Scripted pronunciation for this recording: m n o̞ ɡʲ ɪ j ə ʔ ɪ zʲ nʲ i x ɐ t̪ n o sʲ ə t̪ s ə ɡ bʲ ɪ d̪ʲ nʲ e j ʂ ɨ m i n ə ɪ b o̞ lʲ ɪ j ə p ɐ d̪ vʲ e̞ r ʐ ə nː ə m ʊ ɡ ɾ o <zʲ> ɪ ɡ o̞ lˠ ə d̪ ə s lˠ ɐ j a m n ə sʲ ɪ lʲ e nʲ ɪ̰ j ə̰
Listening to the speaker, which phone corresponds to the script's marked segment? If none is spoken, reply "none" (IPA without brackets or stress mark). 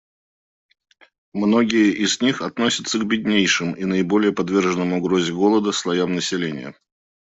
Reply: zʲ